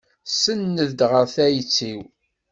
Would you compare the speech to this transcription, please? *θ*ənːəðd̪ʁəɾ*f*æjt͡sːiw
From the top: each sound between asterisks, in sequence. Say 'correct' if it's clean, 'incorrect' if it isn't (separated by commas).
incorrect, incorrect